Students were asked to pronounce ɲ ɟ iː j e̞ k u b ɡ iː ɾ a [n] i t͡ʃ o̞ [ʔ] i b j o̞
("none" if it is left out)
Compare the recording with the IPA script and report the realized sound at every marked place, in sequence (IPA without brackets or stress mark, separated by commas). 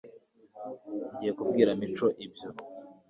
m, ʔ